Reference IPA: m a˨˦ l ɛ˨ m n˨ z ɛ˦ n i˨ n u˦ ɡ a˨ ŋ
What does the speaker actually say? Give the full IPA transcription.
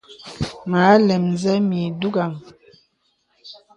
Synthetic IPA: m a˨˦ l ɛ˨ m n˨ z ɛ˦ m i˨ d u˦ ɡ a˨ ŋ